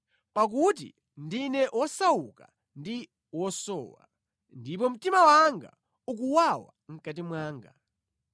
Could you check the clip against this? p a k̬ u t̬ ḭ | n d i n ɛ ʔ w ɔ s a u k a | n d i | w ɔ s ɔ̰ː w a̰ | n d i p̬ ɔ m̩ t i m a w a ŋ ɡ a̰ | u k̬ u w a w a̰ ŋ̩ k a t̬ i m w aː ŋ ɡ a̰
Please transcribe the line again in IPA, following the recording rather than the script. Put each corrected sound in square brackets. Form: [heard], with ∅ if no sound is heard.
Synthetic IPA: p a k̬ u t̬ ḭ | n d i n ɛ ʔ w ɔ s a u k a | n d i | w ɔ s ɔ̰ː w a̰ | n d i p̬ ɔ m̩ t i m a w a ŋ ɡ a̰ | u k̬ u w a w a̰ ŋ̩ k a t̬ i m w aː ŋ ɡ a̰